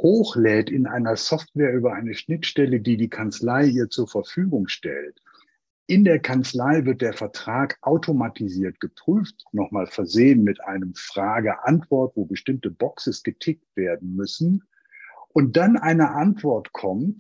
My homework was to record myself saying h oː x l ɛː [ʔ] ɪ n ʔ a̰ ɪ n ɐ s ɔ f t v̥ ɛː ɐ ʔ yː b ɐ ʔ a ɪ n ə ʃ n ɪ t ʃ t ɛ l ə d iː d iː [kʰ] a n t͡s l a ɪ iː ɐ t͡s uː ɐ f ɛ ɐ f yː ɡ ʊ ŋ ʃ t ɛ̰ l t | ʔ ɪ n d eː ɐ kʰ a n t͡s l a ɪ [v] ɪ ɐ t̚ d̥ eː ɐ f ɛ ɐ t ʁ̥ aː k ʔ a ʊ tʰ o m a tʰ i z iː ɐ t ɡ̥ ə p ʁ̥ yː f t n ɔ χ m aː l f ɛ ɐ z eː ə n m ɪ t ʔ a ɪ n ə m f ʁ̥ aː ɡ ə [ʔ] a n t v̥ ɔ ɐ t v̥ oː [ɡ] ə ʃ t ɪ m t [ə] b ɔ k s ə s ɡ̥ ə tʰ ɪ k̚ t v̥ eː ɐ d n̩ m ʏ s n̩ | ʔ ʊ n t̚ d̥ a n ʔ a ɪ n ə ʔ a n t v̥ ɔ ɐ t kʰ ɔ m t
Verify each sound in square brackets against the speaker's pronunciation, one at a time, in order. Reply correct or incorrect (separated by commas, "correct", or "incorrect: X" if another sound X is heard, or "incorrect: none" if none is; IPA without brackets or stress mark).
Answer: incorrect: t, correct, correct, correct, incorrect: b, correct